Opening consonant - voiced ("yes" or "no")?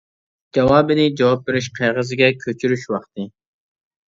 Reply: yes